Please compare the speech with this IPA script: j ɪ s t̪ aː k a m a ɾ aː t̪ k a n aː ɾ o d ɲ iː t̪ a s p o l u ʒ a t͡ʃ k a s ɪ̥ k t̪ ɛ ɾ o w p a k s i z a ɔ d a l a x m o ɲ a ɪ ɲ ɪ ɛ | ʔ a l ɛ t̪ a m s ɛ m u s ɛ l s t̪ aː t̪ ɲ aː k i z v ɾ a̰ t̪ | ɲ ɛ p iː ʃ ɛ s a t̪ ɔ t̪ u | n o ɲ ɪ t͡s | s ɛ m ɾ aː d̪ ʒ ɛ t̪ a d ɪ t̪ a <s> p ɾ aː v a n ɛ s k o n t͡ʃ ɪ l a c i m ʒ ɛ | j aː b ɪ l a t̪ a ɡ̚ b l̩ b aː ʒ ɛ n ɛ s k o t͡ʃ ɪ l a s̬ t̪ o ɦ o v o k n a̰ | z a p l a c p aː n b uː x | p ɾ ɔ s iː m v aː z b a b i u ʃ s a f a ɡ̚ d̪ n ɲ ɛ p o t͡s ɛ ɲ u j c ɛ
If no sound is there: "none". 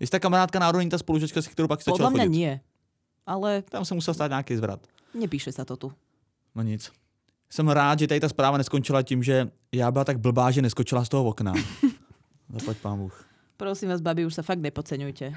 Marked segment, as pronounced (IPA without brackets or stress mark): s